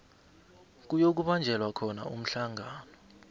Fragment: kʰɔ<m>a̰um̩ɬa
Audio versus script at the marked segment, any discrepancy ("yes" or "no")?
yes